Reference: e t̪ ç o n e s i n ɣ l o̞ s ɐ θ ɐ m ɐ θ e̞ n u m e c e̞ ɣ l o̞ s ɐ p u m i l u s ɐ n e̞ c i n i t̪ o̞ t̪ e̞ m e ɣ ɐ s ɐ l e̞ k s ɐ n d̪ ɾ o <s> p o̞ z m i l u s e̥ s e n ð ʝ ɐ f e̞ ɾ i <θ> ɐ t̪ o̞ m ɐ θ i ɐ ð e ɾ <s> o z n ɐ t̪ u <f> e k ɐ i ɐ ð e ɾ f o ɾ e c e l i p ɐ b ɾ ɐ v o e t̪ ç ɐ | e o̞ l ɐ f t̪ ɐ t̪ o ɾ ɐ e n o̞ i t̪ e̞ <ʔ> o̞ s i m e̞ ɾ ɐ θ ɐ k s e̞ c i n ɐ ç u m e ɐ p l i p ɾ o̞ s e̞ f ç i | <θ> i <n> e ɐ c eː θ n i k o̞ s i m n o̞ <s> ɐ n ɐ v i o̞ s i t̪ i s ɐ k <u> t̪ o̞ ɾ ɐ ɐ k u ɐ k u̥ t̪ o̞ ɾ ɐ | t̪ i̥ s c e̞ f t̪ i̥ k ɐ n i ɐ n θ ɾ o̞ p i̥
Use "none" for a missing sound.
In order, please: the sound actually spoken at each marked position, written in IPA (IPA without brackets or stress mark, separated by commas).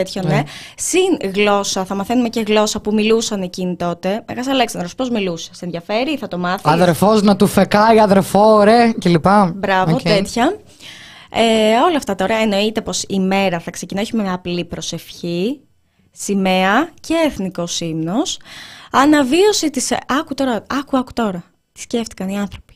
s, θ, f, f, p, s, m, s, u